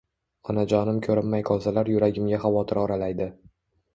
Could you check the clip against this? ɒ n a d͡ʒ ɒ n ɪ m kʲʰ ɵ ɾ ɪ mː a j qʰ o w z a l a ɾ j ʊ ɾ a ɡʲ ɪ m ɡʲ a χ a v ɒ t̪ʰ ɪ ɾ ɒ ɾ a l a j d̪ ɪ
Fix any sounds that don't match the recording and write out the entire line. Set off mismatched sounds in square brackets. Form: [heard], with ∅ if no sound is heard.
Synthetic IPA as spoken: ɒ n a d͡ʒ ɒ n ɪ m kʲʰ ɵ ɾ ɪ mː a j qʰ [ɒ] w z a l a ɾ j ʊ ɾ a ɡʲ ɪ m ɡʲ a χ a v ɒ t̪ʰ ɪ ɾ ɒ ɾ a l a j d̪ ɪ